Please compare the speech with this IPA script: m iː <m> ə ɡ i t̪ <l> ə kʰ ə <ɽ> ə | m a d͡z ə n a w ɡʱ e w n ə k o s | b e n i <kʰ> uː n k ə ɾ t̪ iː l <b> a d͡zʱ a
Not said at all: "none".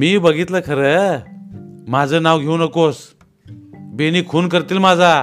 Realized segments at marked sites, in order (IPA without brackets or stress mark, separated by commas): b, l, ɾ, kʰ, m